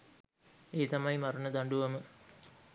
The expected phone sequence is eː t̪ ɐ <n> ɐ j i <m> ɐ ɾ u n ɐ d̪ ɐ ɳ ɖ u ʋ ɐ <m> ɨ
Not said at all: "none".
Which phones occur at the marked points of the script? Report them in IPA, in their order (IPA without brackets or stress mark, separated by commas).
m, m, m